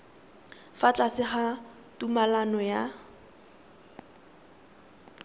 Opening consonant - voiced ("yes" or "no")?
no